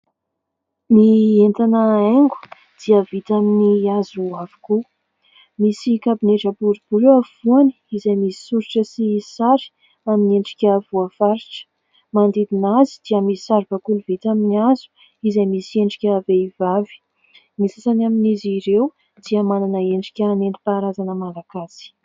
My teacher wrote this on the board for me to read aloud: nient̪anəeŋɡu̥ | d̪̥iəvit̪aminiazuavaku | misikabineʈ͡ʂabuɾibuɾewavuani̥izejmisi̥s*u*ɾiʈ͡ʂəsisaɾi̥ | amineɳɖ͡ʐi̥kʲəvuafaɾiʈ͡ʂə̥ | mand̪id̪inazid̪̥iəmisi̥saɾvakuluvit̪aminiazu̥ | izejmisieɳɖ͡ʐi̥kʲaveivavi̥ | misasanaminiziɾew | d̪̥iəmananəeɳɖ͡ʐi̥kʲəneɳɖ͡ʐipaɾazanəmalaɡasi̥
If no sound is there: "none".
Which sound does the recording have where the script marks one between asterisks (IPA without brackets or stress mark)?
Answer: u